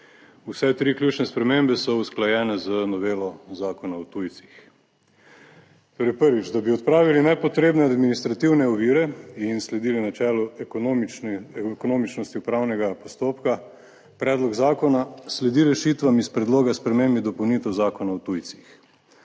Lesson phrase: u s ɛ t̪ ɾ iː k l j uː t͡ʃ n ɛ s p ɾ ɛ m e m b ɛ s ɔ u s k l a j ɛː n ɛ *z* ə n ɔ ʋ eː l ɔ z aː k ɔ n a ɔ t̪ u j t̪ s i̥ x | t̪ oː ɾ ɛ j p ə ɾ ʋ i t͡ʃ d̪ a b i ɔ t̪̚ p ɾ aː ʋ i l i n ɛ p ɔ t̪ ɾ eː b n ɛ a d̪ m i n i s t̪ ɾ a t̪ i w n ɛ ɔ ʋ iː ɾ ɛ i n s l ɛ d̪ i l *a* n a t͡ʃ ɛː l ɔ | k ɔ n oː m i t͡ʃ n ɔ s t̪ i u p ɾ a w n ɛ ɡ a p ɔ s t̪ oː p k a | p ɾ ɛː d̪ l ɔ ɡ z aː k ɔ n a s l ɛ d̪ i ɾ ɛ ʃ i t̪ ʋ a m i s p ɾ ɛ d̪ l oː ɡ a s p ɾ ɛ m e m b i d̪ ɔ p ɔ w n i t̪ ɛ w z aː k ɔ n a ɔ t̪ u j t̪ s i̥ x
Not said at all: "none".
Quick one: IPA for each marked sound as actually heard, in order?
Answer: z, i

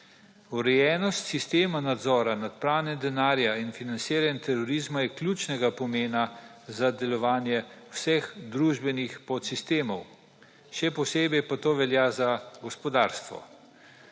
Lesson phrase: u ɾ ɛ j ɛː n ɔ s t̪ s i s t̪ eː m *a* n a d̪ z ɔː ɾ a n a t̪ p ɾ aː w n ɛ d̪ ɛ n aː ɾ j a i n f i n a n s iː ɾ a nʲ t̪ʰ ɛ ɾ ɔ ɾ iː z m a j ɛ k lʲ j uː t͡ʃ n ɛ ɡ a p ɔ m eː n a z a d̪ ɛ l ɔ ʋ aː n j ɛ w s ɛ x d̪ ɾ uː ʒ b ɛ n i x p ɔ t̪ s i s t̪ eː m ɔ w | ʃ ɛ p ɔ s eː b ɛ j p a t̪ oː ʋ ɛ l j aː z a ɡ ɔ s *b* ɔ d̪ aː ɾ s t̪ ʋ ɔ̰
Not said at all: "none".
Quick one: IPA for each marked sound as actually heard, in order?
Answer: a, p

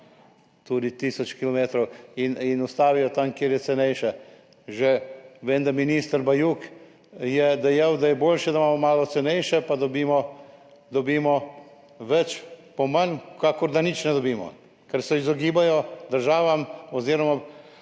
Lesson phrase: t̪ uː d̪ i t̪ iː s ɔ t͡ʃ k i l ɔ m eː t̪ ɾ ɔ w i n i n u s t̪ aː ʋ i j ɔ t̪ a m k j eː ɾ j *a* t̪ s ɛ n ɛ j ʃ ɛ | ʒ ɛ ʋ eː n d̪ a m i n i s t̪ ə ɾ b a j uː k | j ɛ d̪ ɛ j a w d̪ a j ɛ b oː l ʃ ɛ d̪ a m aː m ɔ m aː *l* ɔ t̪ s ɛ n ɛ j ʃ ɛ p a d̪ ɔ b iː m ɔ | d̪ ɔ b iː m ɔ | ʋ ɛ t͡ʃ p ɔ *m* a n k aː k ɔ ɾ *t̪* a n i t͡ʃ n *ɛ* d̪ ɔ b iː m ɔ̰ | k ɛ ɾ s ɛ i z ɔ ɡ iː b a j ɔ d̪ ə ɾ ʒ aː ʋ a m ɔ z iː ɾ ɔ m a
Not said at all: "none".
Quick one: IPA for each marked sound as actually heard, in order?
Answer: ɛ, l, m, d̪, ɛ

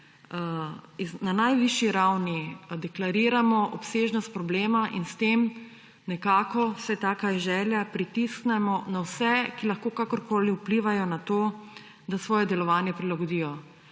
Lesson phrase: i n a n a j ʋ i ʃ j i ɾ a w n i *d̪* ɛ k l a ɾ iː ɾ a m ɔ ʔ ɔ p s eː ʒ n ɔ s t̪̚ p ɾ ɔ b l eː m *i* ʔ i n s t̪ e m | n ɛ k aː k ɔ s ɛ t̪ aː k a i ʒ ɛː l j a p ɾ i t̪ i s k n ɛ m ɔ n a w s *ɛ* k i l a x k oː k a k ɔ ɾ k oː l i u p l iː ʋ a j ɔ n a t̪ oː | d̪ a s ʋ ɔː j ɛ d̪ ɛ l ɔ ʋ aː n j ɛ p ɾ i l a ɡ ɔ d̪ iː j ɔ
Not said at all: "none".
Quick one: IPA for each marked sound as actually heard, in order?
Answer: d̪, a, ɛ

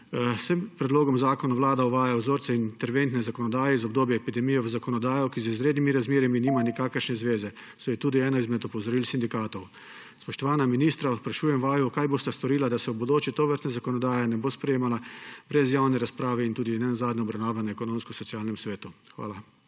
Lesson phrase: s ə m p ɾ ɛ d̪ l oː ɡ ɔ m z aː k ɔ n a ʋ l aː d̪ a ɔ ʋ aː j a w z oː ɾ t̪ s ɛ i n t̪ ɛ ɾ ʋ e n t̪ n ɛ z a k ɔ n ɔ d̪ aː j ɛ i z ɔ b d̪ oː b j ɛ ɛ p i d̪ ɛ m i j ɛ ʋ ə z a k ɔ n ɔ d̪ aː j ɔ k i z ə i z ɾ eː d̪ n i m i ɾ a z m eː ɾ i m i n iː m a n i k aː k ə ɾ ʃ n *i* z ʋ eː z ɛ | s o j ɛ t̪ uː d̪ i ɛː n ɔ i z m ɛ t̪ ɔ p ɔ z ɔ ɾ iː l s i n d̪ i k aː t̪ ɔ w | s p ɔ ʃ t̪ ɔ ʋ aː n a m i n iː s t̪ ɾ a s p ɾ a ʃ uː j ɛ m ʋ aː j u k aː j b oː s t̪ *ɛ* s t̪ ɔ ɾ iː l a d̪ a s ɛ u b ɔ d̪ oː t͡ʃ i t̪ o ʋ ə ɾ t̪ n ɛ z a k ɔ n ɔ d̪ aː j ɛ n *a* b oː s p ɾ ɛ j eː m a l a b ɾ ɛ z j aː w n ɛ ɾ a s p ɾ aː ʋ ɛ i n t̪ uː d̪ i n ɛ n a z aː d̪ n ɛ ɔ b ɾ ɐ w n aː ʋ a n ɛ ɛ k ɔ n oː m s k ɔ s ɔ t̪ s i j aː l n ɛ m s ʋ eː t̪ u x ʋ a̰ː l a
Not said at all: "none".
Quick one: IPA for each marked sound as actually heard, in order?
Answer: ɛ, a, ɛ

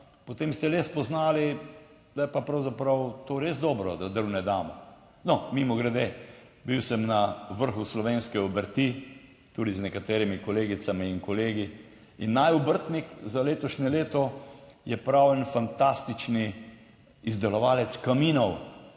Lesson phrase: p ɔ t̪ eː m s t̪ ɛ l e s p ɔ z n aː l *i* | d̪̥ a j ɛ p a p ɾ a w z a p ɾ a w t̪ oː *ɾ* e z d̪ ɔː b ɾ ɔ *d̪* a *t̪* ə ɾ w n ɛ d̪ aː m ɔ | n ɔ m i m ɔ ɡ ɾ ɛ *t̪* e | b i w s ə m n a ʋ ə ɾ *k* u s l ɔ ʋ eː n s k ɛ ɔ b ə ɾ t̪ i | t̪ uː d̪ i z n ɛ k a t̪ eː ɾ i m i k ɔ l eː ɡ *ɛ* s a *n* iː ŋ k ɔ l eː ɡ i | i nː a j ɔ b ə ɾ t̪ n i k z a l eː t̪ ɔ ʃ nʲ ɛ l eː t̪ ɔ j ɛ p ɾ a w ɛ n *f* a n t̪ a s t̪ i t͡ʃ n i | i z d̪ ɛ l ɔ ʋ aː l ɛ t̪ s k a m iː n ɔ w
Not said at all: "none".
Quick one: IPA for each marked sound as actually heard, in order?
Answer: i, ɾ, d̪, d̪, d̪, x, i, m, f

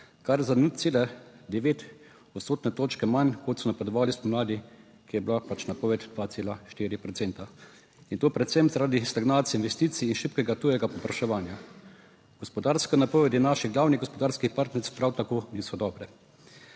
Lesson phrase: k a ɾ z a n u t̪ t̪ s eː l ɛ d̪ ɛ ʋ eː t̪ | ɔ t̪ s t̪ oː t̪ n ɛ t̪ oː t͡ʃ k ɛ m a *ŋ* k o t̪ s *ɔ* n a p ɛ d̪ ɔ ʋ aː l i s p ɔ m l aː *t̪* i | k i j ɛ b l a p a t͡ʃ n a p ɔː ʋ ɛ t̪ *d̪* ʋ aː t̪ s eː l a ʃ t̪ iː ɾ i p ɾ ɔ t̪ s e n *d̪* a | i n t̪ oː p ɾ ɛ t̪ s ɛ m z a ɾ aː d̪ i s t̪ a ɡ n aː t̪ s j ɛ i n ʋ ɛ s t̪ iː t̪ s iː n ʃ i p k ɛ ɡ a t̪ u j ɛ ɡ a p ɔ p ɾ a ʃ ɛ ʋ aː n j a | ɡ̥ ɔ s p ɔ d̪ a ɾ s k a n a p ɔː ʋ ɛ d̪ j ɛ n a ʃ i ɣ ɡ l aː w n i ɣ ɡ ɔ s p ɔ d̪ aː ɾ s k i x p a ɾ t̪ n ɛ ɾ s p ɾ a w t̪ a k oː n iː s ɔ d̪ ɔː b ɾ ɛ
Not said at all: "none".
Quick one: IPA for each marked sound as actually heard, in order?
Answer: n, ɔ, d̪, d̪, t̪

